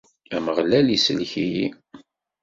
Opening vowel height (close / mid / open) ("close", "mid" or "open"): open